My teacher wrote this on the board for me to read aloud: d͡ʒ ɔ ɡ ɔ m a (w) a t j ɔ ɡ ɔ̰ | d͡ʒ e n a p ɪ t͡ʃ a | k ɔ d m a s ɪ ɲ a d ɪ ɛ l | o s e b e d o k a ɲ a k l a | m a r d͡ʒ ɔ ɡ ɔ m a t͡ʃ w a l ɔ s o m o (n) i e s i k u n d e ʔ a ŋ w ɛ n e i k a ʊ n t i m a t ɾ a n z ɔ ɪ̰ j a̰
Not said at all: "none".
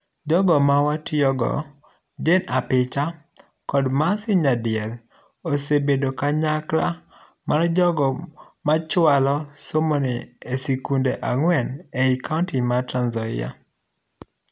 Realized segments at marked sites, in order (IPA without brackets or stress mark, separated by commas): w, n